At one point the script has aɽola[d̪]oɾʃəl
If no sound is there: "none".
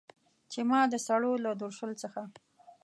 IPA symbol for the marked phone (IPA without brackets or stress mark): d̪